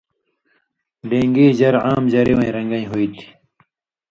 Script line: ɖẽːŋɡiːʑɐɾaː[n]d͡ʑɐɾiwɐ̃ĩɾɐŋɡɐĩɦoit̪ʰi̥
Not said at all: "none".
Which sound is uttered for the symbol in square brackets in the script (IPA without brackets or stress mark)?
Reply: m